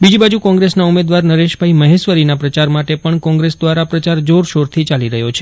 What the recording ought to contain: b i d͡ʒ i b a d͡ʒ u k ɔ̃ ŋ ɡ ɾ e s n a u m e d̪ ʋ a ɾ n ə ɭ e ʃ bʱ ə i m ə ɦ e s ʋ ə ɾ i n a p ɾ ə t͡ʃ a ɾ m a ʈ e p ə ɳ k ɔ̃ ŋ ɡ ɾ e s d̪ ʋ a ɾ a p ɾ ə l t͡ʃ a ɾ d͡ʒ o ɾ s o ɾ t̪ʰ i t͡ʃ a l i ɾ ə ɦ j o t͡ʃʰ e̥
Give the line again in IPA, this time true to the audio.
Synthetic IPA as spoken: b i d͡ʒ i b a d͡ʒ u k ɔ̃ ŋ ɡ ɾ e s n a u m e d̪ ʋ a ɾ n ə ɾ e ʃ bʱ a i m ə ɦ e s ʋ ə ɾ i n a p ɾ ə t͡ʃ a ɾ m a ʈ e p ə ɳ k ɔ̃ ŋ ɡ ɾ e s d̪ ʋ a ɾ a p ɾ ə t͡ʃ a ɾ d͡ʒ o ɾ ʃ o ɾ t̪ʰ i t͡ʃ a l i ɾ ə ɦ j o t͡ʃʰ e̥